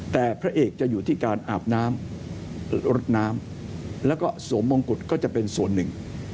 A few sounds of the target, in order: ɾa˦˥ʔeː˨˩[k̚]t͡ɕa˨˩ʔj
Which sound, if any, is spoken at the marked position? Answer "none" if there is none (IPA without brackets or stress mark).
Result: k̚